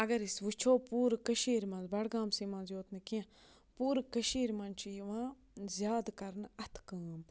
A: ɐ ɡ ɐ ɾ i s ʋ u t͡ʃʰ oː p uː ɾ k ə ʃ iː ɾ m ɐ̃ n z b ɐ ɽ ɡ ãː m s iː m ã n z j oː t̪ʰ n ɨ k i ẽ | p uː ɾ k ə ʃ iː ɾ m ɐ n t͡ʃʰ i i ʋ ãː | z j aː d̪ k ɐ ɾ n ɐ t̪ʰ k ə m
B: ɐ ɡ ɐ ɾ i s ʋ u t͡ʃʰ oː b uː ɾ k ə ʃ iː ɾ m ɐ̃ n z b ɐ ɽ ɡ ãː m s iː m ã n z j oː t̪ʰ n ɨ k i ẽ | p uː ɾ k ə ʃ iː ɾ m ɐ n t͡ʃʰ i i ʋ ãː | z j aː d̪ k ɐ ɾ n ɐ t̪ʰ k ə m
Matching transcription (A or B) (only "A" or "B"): A